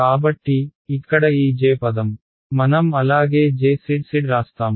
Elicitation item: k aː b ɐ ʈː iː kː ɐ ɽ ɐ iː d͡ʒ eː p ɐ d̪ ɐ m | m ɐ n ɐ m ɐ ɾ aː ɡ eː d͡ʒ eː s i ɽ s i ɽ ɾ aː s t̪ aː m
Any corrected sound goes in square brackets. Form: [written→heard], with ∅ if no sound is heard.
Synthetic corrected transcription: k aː b ɐ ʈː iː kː ɐ ɽ ɐ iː d͡ʒ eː p ɐ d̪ ɐ m | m ɐ n ɐ m ɐ [ɾ→l] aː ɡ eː d͡ʒ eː s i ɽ s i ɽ ɾ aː s t̪ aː m